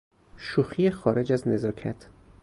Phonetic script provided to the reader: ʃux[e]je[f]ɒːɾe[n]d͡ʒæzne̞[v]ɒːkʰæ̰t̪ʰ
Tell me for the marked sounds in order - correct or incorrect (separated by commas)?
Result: incorrect, incorrect, incorrect, incorrect